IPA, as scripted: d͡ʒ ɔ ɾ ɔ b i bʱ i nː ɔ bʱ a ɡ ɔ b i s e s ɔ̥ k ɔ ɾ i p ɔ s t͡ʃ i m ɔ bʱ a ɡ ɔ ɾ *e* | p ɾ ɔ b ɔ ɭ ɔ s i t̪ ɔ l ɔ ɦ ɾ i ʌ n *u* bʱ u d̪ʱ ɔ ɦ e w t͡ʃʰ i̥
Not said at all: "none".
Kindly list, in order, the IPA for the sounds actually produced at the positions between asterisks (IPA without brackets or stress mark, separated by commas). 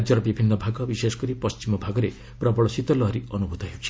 e, u